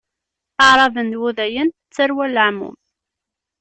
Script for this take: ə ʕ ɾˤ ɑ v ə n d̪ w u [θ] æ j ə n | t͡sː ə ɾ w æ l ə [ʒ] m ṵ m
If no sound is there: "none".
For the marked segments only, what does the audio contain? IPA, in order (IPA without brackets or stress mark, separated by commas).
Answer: ð, ʕ